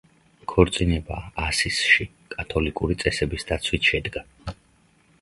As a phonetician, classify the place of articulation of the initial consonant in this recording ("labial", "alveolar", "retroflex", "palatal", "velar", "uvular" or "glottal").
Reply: velar